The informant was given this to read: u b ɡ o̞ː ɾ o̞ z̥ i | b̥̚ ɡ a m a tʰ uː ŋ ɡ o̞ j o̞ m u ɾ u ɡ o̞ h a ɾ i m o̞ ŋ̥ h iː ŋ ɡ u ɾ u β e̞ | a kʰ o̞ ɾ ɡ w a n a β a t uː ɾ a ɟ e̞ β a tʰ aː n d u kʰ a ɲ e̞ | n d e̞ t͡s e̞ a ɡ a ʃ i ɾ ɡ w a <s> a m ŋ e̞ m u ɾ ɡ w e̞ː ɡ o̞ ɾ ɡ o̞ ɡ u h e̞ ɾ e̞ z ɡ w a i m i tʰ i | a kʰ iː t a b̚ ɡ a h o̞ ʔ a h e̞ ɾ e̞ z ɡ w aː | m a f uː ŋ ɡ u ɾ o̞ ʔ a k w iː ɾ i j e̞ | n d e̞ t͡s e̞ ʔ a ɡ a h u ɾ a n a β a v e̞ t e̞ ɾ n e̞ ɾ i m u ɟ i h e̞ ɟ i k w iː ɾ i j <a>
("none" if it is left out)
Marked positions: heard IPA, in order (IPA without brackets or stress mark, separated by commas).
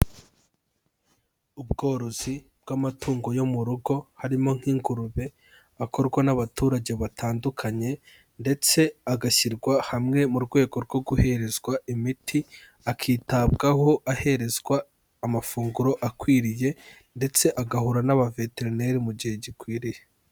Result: h, e